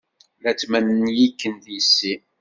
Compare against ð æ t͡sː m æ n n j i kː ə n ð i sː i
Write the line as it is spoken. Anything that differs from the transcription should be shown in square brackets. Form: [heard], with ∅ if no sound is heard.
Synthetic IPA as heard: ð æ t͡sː m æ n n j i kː ə n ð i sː i